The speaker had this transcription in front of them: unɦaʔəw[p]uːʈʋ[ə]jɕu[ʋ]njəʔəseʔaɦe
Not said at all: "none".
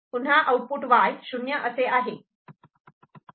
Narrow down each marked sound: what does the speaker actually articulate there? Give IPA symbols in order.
p, a, none

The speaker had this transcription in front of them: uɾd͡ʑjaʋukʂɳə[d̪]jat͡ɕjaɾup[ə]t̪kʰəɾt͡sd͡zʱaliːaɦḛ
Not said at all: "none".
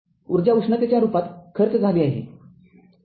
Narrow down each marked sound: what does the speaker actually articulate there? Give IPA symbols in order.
t̪, a

